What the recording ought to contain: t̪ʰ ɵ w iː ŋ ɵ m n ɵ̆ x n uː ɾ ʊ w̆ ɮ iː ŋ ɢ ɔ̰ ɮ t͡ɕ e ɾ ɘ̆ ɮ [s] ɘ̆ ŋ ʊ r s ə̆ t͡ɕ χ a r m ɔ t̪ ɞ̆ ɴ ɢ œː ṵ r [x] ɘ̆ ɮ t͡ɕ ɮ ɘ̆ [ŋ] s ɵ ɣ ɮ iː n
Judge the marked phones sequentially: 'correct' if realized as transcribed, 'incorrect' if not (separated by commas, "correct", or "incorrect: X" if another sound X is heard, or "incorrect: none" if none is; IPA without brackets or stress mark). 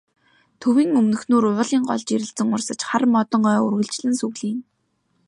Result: incorrect: t͡s, incorrect: ɣ, incorrect: n